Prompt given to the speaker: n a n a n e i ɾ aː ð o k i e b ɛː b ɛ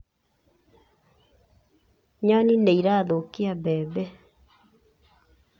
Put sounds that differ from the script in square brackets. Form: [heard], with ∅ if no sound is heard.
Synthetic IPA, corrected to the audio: [ɲ] a n [i] n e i ɾ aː ð o k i [a] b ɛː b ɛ